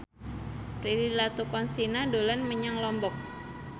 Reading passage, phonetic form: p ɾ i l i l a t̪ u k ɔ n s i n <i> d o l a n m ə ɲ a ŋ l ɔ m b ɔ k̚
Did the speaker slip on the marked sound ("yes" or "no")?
yes